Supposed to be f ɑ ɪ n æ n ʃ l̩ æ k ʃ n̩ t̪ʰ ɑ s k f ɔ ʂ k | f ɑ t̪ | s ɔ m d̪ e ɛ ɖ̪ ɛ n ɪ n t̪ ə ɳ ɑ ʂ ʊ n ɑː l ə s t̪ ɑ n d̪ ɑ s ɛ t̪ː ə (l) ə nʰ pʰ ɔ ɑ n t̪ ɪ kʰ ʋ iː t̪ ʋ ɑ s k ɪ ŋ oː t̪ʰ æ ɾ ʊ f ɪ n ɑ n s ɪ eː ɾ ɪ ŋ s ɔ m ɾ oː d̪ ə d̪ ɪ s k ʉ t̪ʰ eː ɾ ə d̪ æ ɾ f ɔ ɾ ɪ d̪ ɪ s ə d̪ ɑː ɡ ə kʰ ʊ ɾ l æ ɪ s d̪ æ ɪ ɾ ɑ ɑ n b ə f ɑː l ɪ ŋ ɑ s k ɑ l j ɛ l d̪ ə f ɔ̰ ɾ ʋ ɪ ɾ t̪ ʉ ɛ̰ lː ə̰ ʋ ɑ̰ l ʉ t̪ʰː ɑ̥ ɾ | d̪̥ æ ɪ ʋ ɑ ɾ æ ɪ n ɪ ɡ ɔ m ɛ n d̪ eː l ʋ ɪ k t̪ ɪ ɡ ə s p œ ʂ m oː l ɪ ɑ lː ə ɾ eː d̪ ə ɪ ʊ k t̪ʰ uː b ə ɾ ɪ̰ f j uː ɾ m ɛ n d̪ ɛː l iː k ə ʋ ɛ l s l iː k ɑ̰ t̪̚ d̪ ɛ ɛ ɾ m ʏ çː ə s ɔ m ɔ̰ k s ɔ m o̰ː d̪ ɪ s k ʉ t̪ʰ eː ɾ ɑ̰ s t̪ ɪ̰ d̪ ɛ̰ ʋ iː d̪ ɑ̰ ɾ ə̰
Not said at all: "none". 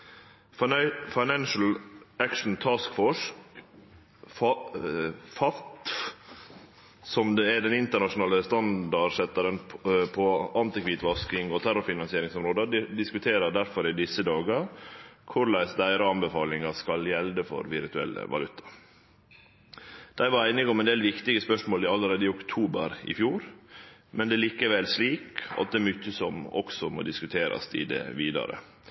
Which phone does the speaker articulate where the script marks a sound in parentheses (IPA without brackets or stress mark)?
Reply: ɾ